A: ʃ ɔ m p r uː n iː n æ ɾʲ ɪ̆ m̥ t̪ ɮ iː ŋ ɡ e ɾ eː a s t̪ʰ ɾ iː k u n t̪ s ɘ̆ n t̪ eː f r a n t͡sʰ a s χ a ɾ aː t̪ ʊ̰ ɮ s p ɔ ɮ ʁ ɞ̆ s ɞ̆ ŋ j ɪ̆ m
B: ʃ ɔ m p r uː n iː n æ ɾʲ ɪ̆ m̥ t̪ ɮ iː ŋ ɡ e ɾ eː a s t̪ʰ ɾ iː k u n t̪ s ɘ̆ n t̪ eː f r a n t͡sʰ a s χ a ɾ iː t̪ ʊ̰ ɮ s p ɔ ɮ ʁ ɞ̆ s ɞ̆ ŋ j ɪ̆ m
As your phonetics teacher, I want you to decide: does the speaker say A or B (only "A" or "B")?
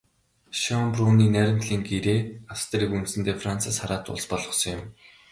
A